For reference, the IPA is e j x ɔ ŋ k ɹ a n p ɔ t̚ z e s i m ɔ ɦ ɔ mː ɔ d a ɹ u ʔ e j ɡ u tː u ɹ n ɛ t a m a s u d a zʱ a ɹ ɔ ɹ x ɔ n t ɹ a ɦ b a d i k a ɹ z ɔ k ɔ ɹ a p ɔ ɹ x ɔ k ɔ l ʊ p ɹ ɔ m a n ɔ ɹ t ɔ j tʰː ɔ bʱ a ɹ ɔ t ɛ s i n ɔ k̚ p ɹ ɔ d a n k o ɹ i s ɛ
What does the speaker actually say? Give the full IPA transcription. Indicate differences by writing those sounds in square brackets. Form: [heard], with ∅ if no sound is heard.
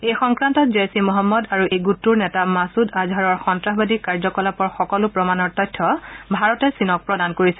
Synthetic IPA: e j x ɔ ŋ k ɹ a n [t] ɔ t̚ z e s i m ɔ ɦ ɔ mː ɔ d a ɹ u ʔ e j ɡ u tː u ɹ n ɛ t a m a s u d a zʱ a ɹ ɔ ɹ x ɔ n t ɹ a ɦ b a d i k a ɹ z ɔ k ɔ [l] a p ɔ ɹ x ɔ k ɔ l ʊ p ɹ ɔ m a n ɔ ɹ t ɔ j tʰː ɔ bʱ a ɹ ɔ t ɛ s i n ɔ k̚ p ɹ ɔ d a n k o ɹ i s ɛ

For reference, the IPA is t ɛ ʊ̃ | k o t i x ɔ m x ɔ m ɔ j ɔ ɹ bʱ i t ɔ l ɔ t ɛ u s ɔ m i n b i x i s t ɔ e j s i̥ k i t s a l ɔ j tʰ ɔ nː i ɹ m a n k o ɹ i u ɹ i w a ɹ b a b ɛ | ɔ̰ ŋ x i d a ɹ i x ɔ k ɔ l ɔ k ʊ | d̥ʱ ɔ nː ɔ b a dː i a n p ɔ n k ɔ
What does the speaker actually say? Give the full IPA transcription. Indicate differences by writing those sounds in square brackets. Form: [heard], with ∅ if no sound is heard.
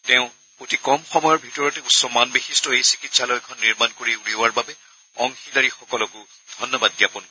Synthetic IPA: t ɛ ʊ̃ | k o t i [k] ɔ m x ɔ m ɔ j ɔ ɹ bʱ i t ɔ [ɹ] ɔ t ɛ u s ɔ m [a] n b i x i s t ɔ e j s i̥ k i t s a l ɔ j [kʰ] ɔ nː i ɹ m a n k o ɹ i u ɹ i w a ɹ b a b ɛ | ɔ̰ ŋ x i d a ɹ i x ɔ k ɔ l ɔ k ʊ | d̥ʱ ɔ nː ɔ b a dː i a [∅] p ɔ n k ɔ

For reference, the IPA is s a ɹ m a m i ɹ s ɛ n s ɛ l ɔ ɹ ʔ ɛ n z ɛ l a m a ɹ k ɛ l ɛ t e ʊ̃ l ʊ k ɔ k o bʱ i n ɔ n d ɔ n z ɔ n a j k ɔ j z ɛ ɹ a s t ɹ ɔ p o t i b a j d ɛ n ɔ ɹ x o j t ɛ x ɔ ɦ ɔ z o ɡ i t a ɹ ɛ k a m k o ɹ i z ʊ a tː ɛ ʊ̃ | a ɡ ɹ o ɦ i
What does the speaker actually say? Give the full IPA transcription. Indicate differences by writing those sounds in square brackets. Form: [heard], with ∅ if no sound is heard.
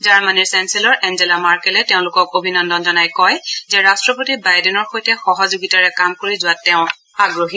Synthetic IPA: [z] a ɹ m a [n] i ɹ s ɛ n s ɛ l ɔ ɹ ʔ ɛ n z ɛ l a m a ɹ k ɛ l ɛ t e ʊ̃ l ʊ k ɔ k o bʱ i n ɔ n d ɔ n z ɔ n a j k ɔ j z ɛ ɹ a s t ɹ ɔ p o t i b a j d ɛ n ɔ ɹ x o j t ɛ x ɔ ɦ ɔ z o ɡ i t a ɹ ɛ k a m k o ɹ i z ʊ a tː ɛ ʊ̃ | a ɡ ɹ o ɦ i

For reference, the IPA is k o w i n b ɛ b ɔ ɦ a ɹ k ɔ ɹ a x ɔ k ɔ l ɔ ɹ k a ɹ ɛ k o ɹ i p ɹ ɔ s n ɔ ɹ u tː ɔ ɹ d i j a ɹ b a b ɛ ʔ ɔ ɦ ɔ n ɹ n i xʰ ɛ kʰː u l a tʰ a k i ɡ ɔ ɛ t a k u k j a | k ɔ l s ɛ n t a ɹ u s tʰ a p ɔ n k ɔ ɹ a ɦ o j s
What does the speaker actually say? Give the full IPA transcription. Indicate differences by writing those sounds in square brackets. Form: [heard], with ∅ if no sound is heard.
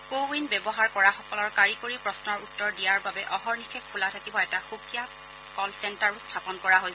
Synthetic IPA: k o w i n b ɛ b ɔ ɦ a ɹ k ɔ ɹ a x ɔ k ɔ l ɔ ɹ k a ɹ [i] k o ɹ i p ɹ ɔ s n ɔ ɹ u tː ɔ ɹ d i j a ɹ b a b ɛ ʔ ɔ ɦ ɔ [∅] ɹ n i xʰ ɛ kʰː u l a tʰ a k i [b] ɔ ɛ t a [x] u k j a | k ɔ l s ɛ n t a ɹ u s tʰ a p ɔ n k ɔ ɹ a ɦ o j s

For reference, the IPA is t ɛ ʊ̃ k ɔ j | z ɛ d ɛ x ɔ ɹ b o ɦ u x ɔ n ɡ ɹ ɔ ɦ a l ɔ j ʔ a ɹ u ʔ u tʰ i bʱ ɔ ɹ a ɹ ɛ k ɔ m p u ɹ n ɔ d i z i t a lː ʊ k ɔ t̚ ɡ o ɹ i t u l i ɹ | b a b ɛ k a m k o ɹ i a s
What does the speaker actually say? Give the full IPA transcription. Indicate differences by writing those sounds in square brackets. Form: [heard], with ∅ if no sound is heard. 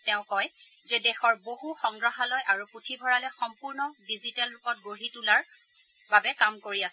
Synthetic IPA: t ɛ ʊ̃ k ɔ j | z ɛ d ɛ x ɔ ɹ b o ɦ u x ɔ [ŋ] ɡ ɹ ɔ ɦ a l ɔ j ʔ a ɹ u [p] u tʰ i bʱ ɔ ɹ a [l] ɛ [x] ɔ m p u ɹ n ɔ d i z i t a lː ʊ k ɔ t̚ ɡ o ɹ i t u l [a] ɹ | b a b ɛ k a m k o ɹ i a s

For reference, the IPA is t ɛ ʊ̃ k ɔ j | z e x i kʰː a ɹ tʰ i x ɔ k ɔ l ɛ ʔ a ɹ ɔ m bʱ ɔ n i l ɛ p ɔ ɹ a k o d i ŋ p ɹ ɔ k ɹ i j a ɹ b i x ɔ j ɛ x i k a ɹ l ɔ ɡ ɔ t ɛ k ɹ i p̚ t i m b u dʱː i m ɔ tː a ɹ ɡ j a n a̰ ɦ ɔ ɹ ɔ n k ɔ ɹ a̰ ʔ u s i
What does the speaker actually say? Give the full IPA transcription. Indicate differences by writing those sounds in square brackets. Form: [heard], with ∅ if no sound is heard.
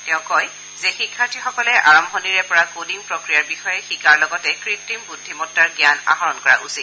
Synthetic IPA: t ɛ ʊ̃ k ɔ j | z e x i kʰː a ɹ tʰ i x ɔ k ɔ l ɛ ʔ a ɹ ɔ m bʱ ɔ n i [ɹ] ɛ p ɔ ɹ a k o d i ŋ p ɹ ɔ k ɹ i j a ɹ b i x ɔ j ɛ x i k a ɹ l ɔ ɡ ɔ t ɛ k ɹ i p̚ t i m b u dʱː i m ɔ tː a ɹ ɡ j a n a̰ ɦ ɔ ɹ ɔ n k ɔ ɹ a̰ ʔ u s i

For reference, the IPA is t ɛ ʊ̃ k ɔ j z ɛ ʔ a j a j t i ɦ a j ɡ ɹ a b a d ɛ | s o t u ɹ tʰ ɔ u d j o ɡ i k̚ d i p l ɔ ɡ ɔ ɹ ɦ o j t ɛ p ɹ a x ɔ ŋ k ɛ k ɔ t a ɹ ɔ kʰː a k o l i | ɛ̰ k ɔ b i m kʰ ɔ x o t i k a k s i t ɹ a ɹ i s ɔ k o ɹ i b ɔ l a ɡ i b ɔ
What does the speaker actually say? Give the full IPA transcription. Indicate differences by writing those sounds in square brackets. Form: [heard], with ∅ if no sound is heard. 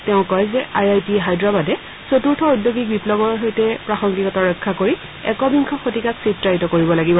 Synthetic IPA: t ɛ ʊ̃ k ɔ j z ɛ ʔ a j a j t i ɦ a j [d] ɹ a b a d ɛ | s o t u ɹ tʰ ɔ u d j o ɡ i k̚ [b] i p l ɔ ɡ ɔ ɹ ɦ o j t ɛ p ɹ a x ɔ ŋ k [i] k ɔ t a ɹ ɔ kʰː a k o [ɹ] i | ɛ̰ k ɔ b i [ŋ] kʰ ɔ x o t i k a k s i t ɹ a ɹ i [t] ɔ k o ɹ i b ɔ l a ɡ i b ɔ

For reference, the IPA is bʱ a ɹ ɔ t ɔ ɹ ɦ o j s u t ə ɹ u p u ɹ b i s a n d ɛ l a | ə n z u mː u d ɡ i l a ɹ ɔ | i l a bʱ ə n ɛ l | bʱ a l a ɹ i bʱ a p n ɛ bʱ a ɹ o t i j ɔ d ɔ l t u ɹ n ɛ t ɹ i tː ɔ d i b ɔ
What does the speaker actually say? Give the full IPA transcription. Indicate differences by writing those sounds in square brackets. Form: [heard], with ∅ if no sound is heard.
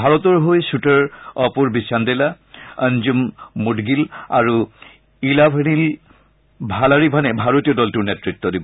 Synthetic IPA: bʱ a ɹ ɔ t ɔ ɹ ɦ o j s u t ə ɹ [ɔ] p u ɹ b i s a n d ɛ l a | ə n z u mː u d ɡ i l a ɹ [u] | i l a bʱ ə n [i] l | bʱ a l a ɹ i bʱ a [∅] n ɛ bʱ a ɹ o t i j ɔ d ɔ l t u ɹ n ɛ t ɹ i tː ɔ d i b ɔ

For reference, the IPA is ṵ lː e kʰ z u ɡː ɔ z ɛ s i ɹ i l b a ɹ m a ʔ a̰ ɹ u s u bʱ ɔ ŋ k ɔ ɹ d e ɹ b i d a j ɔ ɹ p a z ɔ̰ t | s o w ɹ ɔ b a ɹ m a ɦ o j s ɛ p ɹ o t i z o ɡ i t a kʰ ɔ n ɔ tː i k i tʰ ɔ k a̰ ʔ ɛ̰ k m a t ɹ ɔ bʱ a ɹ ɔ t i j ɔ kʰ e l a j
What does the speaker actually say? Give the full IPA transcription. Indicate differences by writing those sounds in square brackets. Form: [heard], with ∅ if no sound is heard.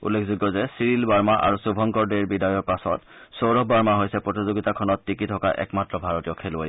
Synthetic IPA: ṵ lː e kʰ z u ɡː ɔ z ɛ s i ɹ i l b a ɹ m a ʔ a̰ ɹ u s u bʱ ɔ ŋ k ɔ ɹ d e ɹ b i d a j ɔ ɹ p a [s] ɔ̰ t | s o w ɹ ɔ b a ɹ m a ɦ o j s ɛ p ɹ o t i z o ɡ i t a kʰ ɔ n ɔ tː i k i tʰ ɔ k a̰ ʔ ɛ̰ k m a t ɹ ɔ bʱ a ɹ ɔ t i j ɔ kʰ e l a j

